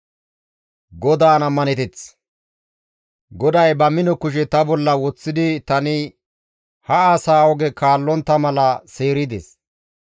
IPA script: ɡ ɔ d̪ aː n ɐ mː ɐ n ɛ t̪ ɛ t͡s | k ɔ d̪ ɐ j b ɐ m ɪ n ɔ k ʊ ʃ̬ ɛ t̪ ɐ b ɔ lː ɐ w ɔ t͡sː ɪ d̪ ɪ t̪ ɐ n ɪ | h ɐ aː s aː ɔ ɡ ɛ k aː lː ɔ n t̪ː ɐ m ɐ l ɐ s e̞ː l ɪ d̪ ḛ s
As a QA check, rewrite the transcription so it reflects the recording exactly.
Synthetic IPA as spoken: ɡ ɔ d̪ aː n ɐ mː ɐ n ɛ t̪ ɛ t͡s | ɡ ɔ d̪ ɐ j b ɐ m ɪ n ɔ k ʊ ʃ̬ ɛ t̪ ɐ b ɔ lː ɐ w ɔ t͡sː ɪ d̪ ɪ t̪ ɐ n ɪ | h ɐ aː s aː ɔ ɡ ɛ k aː lː ɔ n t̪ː ɐ m ɐ l ɐ s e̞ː ɾ ɪ d̪ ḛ s

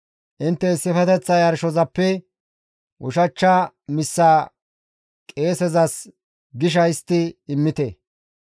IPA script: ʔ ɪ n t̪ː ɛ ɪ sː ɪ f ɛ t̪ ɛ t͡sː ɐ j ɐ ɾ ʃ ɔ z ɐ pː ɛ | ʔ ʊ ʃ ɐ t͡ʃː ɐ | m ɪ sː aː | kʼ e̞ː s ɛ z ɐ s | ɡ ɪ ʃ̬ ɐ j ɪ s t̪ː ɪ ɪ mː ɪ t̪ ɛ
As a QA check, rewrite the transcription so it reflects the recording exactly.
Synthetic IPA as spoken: ʔ ɪ n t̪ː ɛ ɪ sː ɪ f ɛ t̪ ɛ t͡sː ɐ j ɐ ɾ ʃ ɔ z ɐ pː ɛ | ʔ ʊ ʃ ɐ t͡ʃː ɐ | m ɪ sː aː | kʼ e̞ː s ɛ z ɐ s | ɡ ɪ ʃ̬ ɐ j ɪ s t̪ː ɪ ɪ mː ɪ t̪ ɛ

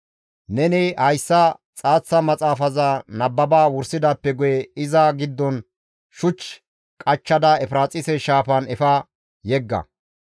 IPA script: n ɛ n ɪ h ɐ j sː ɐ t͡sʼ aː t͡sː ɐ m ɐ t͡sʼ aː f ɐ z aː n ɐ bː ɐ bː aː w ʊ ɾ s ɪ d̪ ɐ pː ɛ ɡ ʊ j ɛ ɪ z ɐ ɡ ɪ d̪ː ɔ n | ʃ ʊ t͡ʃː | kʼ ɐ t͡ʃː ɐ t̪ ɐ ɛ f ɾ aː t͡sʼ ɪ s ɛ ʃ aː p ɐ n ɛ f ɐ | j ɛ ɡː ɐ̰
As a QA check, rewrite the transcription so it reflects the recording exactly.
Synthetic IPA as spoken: n ɛ n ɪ h ɐ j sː ɐ t͡sʼ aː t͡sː ɐ m ɐ t͡sʼ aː f ɐ z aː n ɐ bː ɐ b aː w ʊ ɾ s ɪ d̪ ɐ pː ɛ ɡ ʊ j ɛ ɪ z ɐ ɡ ɪ d̪ː ɔ n | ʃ ʊ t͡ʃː | kʼ ɐ t͡ʃː ɐ d̪ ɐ ɛ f ɾ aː t͡sʼ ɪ s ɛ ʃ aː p ɐ n ɛ f ɐ | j ɛ ɡː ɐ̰

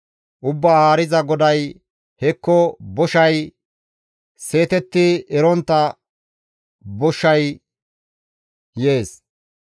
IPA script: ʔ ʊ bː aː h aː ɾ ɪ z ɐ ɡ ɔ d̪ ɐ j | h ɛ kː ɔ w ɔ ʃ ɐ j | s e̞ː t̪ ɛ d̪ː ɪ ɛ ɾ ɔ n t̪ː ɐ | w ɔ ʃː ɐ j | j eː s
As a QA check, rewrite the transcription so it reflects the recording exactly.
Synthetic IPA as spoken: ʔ ʊ bː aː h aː ɾ ɪ z ɐ ɡ ɔ d̪ ɐ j | h ɛ kː ɔ b ɔ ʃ ɐ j | s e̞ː t̪ ɛ t̪ː ɪ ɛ ɾ ɔ n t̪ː ɐ | b ɔ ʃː ɐ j | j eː s

